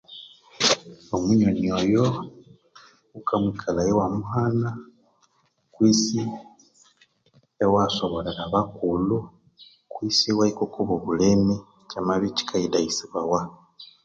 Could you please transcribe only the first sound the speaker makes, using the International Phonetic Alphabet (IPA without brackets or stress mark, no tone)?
o